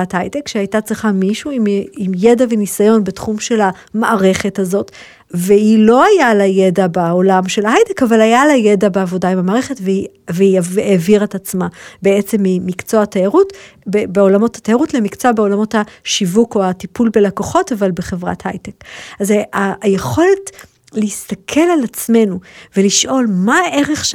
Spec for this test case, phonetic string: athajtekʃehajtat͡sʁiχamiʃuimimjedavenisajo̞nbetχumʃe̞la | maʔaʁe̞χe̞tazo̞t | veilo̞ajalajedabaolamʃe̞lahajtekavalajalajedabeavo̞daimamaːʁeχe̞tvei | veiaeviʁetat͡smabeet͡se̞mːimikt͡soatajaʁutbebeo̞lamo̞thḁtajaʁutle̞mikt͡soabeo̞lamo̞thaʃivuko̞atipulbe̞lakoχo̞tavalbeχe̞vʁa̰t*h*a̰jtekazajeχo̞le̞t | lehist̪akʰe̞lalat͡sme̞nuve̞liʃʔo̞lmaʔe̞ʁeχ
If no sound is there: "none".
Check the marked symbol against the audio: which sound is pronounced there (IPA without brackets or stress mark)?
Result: h